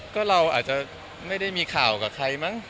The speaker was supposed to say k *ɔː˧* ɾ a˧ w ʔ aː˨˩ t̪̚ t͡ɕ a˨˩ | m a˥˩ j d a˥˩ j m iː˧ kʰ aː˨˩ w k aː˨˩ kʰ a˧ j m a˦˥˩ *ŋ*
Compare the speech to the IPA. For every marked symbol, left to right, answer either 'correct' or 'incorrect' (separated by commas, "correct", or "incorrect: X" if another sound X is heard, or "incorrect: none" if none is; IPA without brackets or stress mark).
incorrect: ɔː˥˩, correct